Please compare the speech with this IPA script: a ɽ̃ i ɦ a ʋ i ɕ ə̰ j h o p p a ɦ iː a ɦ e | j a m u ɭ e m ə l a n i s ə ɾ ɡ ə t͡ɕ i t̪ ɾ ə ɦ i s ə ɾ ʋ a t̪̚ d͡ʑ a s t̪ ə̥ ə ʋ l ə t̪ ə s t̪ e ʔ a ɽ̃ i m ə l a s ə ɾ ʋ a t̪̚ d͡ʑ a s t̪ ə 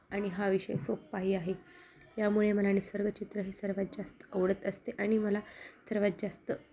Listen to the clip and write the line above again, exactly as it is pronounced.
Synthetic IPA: a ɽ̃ i ɦ a ʋ i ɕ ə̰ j s o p p a ɦ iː a ɦ e | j a m u ɭ e m ə l a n i s ə ɾ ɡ ə t͡ɕ i t̪ ɾ ə ɦ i s ə ɾ ʋ a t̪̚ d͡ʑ a s t̪ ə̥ ə ʋ ɽ ə t̪ ə s t̪ e ʔ a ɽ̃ i m ə l a s ə ɾ ʋ a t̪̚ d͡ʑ a s t̪ ə